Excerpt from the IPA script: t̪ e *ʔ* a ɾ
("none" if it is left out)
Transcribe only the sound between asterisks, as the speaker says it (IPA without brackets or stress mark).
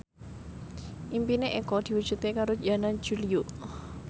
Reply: k